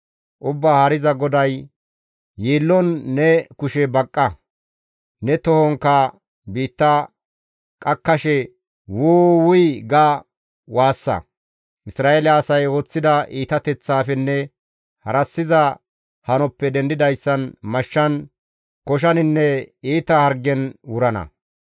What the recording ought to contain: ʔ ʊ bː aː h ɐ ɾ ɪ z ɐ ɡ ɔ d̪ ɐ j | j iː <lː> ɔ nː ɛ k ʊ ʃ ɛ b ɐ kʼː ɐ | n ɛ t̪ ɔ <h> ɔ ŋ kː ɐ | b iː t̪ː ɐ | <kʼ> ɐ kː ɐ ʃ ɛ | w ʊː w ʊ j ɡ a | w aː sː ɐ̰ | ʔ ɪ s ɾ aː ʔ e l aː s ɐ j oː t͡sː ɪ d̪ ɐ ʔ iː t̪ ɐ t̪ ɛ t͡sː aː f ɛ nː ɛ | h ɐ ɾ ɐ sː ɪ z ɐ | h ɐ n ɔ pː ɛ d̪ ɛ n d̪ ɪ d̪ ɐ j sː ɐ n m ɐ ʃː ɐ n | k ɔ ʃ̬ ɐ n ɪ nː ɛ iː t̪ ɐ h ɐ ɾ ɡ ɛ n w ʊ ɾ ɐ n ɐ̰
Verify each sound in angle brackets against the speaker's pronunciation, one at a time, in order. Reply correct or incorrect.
correct, correct, correct

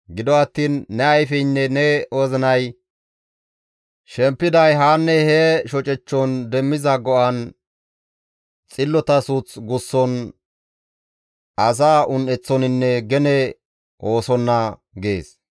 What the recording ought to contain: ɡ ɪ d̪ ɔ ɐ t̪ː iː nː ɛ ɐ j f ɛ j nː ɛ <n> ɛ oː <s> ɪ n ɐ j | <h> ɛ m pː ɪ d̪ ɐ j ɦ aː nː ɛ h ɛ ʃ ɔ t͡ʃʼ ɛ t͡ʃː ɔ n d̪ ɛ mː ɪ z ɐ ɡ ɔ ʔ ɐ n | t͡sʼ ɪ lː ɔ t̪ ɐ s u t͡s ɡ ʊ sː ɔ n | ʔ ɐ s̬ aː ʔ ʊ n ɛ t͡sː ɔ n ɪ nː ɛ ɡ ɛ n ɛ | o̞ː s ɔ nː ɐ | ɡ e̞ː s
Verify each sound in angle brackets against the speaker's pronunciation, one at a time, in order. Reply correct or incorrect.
correct, incorrect: z, incorrect: ʃ

